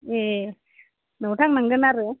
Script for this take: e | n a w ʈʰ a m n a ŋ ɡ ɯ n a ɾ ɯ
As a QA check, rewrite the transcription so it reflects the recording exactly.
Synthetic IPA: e | n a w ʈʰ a ŋ n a ŋ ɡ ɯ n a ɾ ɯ